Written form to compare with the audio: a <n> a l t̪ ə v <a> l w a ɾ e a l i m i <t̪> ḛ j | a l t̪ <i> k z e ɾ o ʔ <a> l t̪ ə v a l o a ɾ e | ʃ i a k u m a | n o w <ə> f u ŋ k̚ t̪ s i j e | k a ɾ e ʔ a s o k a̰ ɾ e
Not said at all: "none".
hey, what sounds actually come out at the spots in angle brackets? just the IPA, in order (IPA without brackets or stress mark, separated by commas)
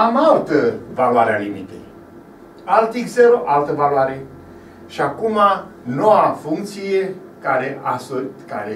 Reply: m, a, t̪, i, a, a